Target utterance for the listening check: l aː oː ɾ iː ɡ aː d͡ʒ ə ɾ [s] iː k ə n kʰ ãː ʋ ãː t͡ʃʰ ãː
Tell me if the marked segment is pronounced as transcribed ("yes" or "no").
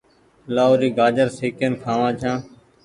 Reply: yes